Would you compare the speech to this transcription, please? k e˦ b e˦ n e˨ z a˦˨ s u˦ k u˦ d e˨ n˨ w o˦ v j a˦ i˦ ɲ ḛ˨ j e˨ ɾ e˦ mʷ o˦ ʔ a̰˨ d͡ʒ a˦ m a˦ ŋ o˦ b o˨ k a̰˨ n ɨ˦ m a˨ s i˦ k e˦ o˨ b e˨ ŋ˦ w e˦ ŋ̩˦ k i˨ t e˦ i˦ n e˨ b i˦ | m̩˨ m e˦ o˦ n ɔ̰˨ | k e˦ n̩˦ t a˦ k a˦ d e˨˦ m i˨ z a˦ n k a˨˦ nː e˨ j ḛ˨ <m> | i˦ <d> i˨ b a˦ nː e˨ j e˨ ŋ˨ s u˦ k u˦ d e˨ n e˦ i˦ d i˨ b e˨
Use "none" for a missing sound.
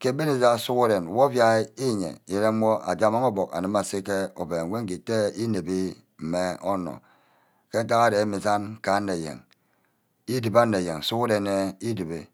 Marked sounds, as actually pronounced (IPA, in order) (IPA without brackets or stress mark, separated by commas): ŋ, d